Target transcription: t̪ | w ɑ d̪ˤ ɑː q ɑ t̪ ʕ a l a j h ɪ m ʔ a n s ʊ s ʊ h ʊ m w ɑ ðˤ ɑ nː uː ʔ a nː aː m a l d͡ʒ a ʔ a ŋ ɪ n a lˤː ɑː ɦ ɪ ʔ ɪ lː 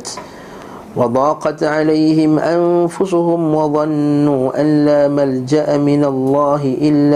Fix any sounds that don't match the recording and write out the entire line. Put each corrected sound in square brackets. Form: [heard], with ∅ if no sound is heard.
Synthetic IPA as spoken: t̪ | w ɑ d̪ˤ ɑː q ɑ t̪ ʕ a l a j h ɪ m ʔ a n [f] ʊ s ʊ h ʊ m w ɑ ðˤ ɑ nː uː ʔ a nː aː m a l d͡ʒ a ʔ a [m] ɪ n a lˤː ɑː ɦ ɪ ʔ ɪ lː